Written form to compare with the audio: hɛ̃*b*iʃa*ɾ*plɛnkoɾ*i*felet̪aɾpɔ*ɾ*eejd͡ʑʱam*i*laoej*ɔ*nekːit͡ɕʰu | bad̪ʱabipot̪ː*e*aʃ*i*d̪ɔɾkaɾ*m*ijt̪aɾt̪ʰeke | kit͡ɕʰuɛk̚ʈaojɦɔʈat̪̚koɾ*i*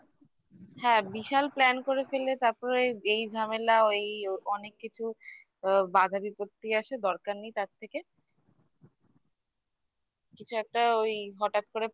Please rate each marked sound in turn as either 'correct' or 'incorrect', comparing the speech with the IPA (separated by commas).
correct, incorrect, incorrect, correct, incorrect, correct, incorrect, incorrect, incorrect, incorrect